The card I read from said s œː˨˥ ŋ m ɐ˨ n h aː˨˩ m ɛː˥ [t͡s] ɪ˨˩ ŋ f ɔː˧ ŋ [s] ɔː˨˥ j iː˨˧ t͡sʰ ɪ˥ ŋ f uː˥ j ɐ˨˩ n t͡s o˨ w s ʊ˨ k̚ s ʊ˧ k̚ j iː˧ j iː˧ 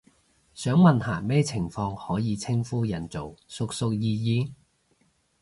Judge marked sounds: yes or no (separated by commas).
no, no